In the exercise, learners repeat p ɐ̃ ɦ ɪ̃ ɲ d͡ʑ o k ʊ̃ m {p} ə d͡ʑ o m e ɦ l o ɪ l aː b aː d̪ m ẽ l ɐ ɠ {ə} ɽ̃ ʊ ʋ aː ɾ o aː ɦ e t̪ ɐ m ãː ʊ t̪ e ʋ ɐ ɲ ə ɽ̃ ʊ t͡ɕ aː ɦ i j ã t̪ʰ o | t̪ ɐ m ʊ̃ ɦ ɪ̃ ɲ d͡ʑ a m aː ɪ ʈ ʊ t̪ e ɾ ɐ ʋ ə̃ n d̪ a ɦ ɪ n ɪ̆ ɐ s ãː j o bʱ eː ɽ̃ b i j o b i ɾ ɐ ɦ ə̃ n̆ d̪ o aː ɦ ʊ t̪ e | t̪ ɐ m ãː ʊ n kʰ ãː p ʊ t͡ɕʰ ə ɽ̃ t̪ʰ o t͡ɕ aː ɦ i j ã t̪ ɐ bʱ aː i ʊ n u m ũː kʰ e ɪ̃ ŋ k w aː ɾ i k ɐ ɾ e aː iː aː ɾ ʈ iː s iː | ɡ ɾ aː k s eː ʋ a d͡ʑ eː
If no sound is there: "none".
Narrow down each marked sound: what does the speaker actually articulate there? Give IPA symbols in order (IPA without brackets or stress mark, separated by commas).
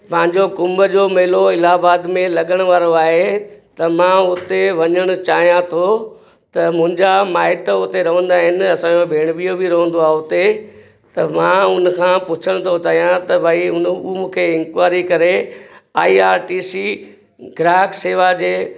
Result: b, ə